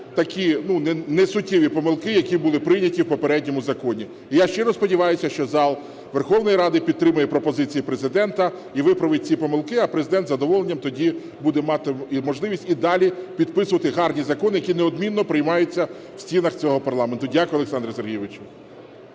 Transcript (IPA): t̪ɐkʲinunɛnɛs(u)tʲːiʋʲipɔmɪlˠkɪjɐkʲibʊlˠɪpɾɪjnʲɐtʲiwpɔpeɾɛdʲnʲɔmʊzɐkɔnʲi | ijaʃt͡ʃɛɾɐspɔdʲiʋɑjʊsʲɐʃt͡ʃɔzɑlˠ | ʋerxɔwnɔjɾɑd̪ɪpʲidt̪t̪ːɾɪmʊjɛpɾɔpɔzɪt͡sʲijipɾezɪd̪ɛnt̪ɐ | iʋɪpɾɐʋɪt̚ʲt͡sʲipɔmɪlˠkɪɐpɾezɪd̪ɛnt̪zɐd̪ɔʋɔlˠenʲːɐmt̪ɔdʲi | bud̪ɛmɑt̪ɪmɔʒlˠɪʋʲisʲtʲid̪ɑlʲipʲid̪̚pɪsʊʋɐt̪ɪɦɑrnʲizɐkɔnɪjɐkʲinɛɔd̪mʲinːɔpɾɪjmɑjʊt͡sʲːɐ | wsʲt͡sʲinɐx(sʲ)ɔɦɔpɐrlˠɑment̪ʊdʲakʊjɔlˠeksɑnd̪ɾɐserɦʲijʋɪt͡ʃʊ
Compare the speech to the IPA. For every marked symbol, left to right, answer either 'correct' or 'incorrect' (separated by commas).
incorrect, incorrect